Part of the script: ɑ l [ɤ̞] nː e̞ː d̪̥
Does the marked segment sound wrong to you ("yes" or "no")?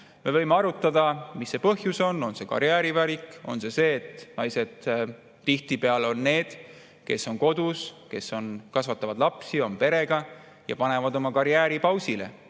yes